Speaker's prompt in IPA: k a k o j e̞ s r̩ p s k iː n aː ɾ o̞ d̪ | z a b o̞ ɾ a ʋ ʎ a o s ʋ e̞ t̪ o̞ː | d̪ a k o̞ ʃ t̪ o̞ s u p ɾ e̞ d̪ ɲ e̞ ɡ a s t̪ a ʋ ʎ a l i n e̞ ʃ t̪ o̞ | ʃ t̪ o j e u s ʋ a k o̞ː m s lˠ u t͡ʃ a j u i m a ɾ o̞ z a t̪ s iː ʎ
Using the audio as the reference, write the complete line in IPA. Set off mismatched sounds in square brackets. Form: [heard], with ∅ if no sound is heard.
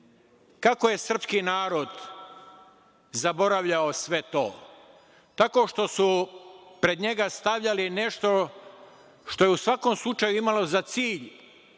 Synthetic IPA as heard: k a k o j e̞ s r̩ p s k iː n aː ɾ o̞ d̪ | z a b o̞ ɾ a ʋ ʎ a o s ʋ e̞ t̪ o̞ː | [t̪] a k o̞ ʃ t̪ o̞ s u p ɾ e̞ d̪ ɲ e̞ ɡ a s t̪ a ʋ ʎ a l i n e̞ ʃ t̪ o̞ | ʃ t̪ o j e u s ʋ a k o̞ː m s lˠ u t͡ʃ a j u i m a [l] o̞ z a t̪ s iː ʎ

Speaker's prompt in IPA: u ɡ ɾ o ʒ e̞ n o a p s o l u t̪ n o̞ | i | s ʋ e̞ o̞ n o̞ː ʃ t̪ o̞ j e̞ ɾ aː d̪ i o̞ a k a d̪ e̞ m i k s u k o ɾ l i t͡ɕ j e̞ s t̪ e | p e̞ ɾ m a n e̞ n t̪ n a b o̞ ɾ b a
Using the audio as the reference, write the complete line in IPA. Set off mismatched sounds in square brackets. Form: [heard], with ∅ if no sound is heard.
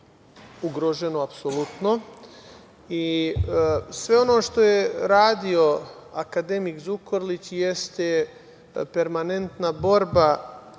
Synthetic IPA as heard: u ɡ ɾ o ʒ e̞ n o a p s o l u t̪ n o̞ | i | s ʋ e̞ o̞ n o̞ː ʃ t̪ o̞ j e̞ ɾ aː d̪ i o̞ a k a d̪ e̞ m i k [z] u k o ɾ l i t͡ɕ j e̞ s t̪ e | p e̞ ɾ m a n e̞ n t̪ n a b o̞ ɾ b a

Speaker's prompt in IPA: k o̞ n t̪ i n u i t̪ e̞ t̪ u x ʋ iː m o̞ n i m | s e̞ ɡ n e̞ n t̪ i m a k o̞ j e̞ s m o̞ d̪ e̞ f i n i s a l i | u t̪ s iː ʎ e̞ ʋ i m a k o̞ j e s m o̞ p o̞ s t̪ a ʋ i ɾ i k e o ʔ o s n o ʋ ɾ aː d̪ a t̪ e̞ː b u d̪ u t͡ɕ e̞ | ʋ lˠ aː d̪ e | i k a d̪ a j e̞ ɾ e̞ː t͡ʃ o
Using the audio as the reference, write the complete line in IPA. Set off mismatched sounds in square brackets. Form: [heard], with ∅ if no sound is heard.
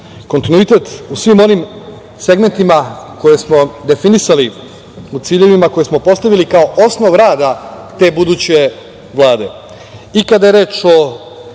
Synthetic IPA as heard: k o̞ n t̪ i n u i t̪ e̞ t̪ u [s] ʋ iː m o̞ n i m | s e̞ ɡ [m] e̞ n t̪ i m a k o̞ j e̞ s m o̞ d̪ e̞ f i n i s a l i | u t̪ s iː ʎ e̞ ʋ i m a k o̞ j e s m o̞ p o̞ s t̪ a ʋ i [l] i k [a] o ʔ o s n o ʋ ɾ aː d̪ a t̪ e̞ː b u d̪ u t͡ɕ e̞ | ʋ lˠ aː d̪ e | i k a d̪ a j e̞ ɾ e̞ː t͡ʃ o

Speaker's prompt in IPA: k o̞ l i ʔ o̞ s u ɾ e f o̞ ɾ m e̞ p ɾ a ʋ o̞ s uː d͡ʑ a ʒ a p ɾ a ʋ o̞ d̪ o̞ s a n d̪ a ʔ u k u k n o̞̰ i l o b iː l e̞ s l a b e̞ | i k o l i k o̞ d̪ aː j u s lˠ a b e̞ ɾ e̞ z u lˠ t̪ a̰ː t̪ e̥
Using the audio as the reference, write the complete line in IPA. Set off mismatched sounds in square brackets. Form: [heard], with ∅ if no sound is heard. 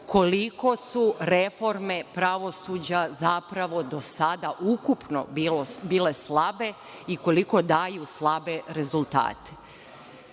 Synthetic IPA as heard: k o̞ l i [k] o̞ s u ɾ e f o̞ ɾ m e̞ p ɾ a ʋ o̞ s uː d͡ʑ a [z] a p ɾ a ʋ o̞ d̪ o̞ s a [∅] d̪ a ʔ u k u [p] n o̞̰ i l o b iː l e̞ s l a b e̞ | i k o l i k o̞ d̪ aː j u s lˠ a b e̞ ɾ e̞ z u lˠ t̪ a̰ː t̪ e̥

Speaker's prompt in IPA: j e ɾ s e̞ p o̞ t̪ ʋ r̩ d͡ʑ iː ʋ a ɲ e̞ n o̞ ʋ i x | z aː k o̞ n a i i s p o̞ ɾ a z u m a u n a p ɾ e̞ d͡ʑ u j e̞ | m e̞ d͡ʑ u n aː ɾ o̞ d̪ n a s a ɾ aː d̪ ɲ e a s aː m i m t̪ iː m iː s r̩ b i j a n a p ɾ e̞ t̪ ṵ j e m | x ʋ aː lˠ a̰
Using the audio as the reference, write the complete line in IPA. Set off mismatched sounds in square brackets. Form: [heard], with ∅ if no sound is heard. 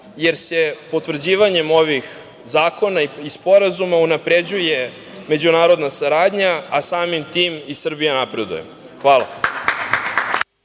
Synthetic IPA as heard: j e ɾ s e̞ p o̞ t̪ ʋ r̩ d͡ʑ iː ʋ a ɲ e̞ [m] o̞ ʋ i x | z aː k o̞ n a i i s p o̞ ɾ a z u m a u n a p ɾ e̞ d͡ʑ u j e̞ | m e̞ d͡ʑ u n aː ɾ o̞ d̪ n a s a ɾ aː d̪ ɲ [a] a s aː m i m t̪ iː m [i] s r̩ b i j a n a p ɾ e̞ [d̪] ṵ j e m | x ʋ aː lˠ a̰

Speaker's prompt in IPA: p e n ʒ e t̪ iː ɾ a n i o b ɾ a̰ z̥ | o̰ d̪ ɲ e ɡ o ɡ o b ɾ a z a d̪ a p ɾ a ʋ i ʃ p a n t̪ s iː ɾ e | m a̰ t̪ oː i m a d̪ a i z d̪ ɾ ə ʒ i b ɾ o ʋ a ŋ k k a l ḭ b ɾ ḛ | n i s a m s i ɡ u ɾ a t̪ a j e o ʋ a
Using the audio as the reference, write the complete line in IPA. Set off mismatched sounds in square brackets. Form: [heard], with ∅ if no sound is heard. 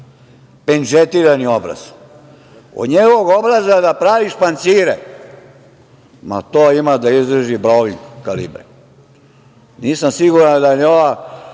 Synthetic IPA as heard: p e n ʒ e t̪ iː ɾ a n i o b ɾ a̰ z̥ | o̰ d̪ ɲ e ɡ o ɡ o b ɾ a z a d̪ a p ɾ a ʋ i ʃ p a n t̪ s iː ɾ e | m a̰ t̪ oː i m a d̪ a i z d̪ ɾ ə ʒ i b ɾ o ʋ [i] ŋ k k a l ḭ b ɾ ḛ | n [iː] s a m s i ɡ u ɾ a [d̪] a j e o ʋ a

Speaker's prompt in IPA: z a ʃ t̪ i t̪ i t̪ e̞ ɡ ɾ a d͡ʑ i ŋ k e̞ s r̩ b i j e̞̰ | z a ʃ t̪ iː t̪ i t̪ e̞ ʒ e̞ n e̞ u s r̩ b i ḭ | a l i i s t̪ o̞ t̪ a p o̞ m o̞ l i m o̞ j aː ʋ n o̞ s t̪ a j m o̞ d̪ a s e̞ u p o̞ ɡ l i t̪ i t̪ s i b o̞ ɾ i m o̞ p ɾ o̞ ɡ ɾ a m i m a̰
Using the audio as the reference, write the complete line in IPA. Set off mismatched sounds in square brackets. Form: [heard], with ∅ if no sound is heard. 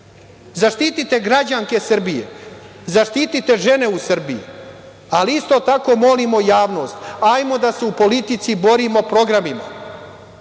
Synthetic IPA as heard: z a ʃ t̪ i t̪ i t̪ e̞ ɡ ɾ a d͡ʑ [a] ŋ k e̞ s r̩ b i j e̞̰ | z a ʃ t̪ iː t̪ i t̪ e̞ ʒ e̞ n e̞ u s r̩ b i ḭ | a l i i s t̪ o̞ t̪ a [k] o̞ m o̞ l i m o̞ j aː ʋ n o̞ s t̪ a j m o̞ d̪ a s e̞ u p o̞ [∅] l i t̪ i t̪ s i b o̞ ɾ i m o̞ p ɾ o̞ ɡ ɾ a m i m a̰

